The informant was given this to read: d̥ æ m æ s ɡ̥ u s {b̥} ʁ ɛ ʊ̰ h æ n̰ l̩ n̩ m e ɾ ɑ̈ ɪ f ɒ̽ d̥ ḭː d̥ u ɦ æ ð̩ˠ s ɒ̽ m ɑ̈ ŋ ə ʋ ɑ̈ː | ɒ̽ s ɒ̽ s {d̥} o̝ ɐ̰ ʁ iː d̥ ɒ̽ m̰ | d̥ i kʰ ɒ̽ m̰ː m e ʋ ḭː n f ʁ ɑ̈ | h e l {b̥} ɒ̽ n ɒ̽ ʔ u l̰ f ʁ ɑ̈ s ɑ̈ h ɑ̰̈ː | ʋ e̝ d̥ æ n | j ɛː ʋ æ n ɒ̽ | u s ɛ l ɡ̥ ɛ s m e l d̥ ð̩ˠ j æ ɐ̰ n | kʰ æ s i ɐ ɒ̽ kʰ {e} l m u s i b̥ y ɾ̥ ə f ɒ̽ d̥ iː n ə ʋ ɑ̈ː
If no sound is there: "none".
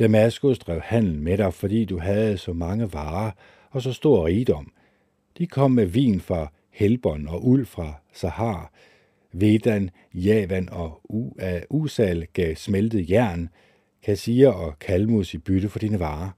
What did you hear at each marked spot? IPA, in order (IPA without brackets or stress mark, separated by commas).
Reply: d̥, d̥, b̥, æ